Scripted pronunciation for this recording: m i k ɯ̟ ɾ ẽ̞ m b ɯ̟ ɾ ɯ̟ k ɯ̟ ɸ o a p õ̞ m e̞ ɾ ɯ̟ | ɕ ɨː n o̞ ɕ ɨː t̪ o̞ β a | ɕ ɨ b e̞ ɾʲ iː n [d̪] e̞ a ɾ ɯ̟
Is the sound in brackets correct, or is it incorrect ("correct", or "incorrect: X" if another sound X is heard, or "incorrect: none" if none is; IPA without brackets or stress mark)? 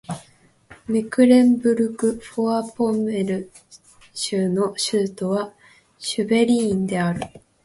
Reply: correct